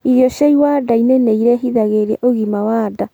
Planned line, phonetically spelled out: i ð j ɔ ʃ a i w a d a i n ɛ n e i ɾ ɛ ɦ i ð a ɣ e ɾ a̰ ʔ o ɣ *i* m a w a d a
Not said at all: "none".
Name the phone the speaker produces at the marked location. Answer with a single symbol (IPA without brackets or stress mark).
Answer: i